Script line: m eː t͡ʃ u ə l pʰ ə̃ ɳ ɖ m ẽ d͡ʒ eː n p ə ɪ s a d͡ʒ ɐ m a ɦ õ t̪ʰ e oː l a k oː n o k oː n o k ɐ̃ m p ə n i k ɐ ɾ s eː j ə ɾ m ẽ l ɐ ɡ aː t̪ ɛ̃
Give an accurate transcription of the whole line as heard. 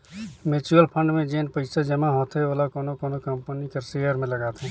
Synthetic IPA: m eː t͡ʃ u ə l pʰ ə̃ ɳ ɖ m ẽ d͡ʒ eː n p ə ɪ s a d͡ʒ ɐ m a ɦ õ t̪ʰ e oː l a k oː n o k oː n o k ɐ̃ m p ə n i k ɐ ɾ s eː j ə ɾ m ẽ l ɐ ɡ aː t̪ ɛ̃